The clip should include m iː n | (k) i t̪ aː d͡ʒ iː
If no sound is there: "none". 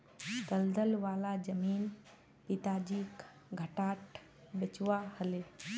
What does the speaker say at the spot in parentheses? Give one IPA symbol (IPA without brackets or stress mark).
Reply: p